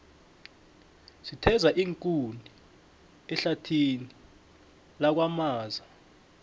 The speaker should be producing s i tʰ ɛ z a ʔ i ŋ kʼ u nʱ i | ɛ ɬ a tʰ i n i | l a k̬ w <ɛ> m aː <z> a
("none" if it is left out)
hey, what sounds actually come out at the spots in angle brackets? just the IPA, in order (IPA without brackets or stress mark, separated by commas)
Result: a, z